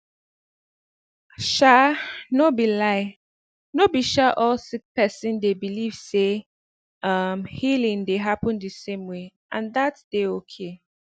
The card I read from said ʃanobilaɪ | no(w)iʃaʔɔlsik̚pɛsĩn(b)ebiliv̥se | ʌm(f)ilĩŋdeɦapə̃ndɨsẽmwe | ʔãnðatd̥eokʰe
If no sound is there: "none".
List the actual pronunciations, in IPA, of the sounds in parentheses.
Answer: b, d, h

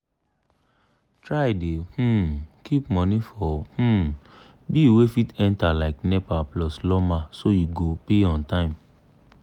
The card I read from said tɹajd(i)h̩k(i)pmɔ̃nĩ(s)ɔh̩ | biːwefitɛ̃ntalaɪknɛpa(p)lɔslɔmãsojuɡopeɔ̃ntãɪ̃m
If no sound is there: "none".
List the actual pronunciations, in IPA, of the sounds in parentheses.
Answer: e, i, f, p

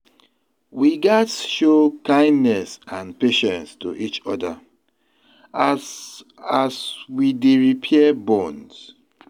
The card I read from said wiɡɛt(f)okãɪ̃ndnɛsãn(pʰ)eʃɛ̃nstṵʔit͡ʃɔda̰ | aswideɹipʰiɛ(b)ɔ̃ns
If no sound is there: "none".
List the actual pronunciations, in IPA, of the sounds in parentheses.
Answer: ʃ, p, b

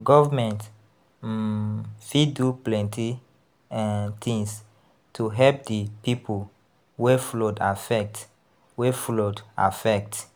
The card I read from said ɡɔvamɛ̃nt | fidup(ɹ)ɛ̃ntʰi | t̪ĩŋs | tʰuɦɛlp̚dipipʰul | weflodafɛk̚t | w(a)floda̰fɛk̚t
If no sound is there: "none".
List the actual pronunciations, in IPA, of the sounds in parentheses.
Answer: l, e

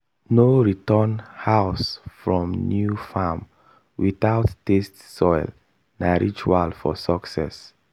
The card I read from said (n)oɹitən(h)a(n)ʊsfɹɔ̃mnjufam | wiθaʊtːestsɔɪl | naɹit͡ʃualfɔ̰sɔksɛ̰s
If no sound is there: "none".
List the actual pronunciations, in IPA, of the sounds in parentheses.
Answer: n, h, none

